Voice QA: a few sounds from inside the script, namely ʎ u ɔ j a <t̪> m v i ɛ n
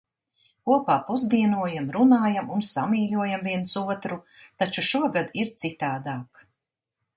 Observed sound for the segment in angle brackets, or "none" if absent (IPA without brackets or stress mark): none